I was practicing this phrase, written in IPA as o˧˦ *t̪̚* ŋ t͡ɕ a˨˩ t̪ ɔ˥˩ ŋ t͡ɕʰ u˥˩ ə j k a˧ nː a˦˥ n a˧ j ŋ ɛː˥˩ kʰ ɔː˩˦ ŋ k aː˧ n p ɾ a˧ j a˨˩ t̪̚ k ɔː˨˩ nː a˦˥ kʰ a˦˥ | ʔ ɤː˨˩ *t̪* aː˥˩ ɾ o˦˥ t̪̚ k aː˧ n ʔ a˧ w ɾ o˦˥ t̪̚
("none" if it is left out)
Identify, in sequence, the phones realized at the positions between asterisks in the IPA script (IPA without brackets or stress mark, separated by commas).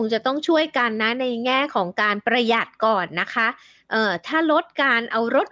none, t̪ʰ